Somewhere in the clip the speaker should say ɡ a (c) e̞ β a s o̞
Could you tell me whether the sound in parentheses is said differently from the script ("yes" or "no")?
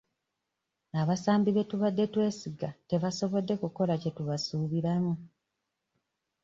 yes